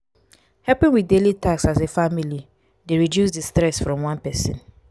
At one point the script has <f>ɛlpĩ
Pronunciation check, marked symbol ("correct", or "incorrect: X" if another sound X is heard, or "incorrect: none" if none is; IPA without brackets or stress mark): incorrect: h